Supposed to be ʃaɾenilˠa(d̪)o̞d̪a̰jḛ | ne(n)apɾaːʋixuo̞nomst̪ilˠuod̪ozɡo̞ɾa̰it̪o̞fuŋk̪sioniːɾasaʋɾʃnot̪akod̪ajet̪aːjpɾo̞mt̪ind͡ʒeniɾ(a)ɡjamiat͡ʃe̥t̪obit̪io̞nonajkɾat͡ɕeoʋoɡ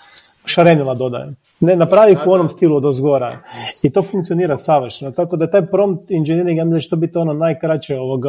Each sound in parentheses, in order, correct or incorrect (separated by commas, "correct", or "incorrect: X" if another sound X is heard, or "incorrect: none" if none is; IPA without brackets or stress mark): correct, correct, incorrect: i